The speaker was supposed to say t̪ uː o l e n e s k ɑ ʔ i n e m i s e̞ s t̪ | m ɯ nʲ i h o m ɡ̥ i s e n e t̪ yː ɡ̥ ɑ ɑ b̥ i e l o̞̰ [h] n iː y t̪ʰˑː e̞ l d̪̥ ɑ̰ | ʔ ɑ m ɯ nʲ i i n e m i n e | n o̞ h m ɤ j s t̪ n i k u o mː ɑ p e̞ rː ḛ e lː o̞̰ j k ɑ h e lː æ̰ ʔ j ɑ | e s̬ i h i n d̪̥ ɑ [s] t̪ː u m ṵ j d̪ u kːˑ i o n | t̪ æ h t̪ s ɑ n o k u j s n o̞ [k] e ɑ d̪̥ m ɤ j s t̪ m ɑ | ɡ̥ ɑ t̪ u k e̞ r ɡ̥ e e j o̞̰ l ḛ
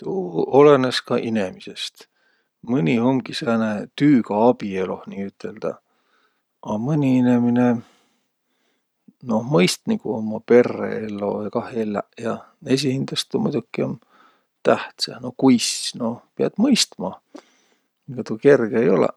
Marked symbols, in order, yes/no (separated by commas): yes, yes, no